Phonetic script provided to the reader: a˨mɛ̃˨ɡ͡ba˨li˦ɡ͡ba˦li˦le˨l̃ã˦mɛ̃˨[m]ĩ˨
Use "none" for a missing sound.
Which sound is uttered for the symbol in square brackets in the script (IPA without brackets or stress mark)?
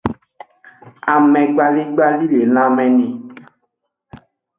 n